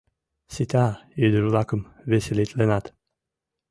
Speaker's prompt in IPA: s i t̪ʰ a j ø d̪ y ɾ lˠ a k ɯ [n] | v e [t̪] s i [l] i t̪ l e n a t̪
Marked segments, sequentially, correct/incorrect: incorrect: m, incorrect: none, correct

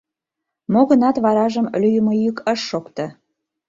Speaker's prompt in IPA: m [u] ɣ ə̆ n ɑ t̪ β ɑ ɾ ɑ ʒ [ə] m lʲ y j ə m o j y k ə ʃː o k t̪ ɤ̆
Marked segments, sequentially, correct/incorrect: incorrect: o, correct

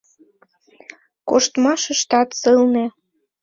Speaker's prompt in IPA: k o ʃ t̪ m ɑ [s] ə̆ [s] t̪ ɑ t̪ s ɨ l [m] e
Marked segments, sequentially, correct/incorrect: incorrect: ʃ, incorrect: ʃ, incorrect: n

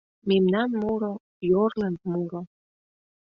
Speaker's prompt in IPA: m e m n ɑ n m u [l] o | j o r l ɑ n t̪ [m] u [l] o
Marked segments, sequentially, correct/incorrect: incorrect: ɾ, correct, incorrect: ɾ

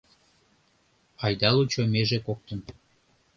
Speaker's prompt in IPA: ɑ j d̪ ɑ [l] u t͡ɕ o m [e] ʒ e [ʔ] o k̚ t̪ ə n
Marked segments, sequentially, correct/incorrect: correct, correct, incorrect: k

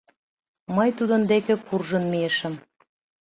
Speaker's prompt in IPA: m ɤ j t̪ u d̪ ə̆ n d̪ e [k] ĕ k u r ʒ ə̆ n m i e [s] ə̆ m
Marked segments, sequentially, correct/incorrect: correct, incorrect: ʃ

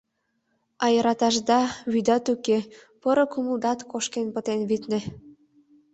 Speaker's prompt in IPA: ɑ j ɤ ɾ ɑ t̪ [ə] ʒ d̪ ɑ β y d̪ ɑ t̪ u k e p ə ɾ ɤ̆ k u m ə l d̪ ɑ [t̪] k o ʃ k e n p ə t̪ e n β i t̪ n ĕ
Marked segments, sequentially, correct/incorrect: incorrect: ɑ, correct

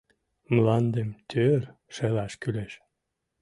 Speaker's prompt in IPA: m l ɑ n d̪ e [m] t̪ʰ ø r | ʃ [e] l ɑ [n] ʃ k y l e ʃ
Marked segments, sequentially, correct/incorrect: correct, correct, incorrect: none

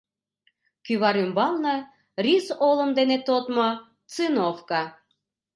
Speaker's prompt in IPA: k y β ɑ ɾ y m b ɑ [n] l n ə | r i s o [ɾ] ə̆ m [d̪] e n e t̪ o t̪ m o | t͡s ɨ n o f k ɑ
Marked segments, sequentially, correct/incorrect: incorrect: none, incorrect: l, correct

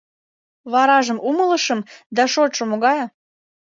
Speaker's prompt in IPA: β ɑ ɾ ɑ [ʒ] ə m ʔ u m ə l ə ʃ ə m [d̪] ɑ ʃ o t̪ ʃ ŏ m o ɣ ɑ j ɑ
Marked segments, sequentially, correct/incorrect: correct, correct

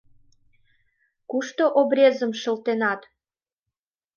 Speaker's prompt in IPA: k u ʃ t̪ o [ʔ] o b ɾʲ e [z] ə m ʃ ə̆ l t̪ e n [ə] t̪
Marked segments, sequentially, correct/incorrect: correct, correct, incorrect: ɑ

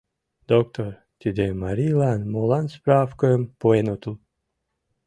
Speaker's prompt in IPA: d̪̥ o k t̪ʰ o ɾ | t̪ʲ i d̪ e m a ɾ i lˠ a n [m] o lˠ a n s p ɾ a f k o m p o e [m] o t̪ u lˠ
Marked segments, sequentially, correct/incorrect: correct, incorrect: n

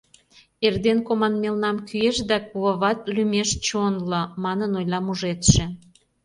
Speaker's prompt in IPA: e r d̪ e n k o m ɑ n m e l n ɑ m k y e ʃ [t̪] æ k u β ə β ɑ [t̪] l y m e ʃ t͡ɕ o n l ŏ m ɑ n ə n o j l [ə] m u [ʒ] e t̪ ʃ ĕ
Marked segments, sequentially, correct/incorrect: incorrect: d̪, correct, incorrect: ɑ, correct

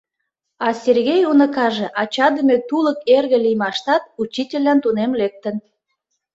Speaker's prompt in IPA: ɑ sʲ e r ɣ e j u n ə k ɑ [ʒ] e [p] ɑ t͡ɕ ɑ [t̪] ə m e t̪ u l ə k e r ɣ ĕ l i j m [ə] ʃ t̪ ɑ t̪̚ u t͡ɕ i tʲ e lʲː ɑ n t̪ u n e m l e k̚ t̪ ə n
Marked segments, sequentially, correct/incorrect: correct, incorrect: ʔ, incorrect: d̪, incorrect: ɑ

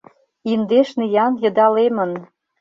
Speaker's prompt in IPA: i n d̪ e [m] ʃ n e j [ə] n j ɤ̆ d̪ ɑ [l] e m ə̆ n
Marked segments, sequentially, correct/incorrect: incorrect: none, incorrect: ɑ, correct

